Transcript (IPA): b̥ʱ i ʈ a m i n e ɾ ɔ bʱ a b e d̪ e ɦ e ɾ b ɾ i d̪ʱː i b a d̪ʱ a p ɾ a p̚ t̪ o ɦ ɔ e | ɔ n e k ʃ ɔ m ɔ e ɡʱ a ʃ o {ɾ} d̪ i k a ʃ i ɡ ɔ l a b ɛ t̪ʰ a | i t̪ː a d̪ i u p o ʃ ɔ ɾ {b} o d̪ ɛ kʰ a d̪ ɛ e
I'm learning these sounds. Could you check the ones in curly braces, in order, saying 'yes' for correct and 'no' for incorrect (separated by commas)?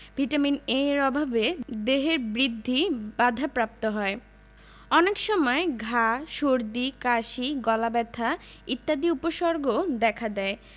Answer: yes, no